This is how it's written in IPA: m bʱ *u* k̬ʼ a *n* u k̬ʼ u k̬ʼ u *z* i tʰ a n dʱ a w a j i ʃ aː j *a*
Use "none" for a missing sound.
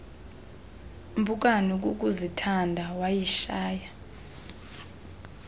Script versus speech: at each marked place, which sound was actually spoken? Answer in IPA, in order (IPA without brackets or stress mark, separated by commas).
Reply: u, n, z, a